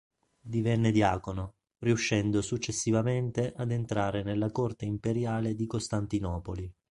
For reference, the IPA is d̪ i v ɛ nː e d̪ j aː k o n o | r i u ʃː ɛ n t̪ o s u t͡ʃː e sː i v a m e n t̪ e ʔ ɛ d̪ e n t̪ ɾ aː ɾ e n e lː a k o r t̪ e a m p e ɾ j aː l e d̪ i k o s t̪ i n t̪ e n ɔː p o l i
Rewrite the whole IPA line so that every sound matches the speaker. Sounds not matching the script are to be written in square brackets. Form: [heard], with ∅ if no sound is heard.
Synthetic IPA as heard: d̪ i v ɛ nː e d̪ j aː k o n o | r i u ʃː ɛ n [d̪] o s u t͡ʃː e sː i v a m e n t̪ e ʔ [a] d̪ e n t̪ ɾ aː ɾ e n e lː a k o r t̪ e [i] m p e ɾ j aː l e d̪ i k o s t̪ [a] n t̪ [i] n ɔː p o l i